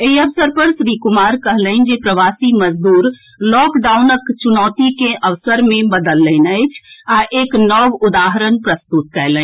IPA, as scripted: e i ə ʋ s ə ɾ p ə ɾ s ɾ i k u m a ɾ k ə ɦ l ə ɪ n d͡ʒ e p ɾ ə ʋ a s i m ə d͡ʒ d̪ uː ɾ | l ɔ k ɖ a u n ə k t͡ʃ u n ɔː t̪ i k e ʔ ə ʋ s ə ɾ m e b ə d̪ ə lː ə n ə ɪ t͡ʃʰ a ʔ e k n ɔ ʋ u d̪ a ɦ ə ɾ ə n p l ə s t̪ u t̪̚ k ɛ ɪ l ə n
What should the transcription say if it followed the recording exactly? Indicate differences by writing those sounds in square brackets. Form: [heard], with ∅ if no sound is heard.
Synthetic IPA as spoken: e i ə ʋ s ə ɾ p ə ɾ s ɾ i k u m a ɾ k ə ɦ l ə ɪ n d͡ʒ e p ɾ ə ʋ a s i m ə d͡ʒ d̪ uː ɾ | l ɔ k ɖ a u n ə k t͡ʃ u n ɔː t̪ i k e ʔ ə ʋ s ə ɾ m e b ə d̪ ə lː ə n ə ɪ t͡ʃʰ a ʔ e k n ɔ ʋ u d̪ a ɦ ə ɾ ə n p [ɾ] ə s t̪ u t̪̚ k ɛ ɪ l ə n